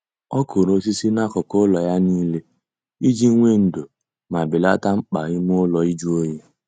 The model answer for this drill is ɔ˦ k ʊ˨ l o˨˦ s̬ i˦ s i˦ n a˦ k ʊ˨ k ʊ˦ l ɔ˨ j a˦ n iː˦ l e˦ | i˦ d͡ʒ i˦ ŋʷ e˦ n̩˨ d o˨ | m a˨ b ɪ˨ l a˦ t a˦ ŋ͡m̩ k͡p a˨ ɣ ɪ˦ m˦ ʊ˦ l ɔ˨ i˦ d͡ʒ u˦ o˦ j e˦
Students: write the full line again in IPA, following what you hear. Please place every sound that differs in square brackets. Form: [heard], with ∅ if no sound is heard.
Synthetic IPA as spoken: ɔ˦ k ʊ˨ [ɾ] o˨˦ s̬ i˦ s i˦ n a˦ k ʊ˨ k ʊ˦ l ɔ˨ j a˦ n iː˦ l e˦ | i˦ d͡ʒ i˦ ŋʷ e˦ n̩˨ d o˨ | m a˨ b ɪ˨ l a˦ t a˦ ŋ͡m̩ k͡p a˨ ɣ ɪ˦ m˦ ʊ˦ l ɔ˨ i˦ d͡ʒ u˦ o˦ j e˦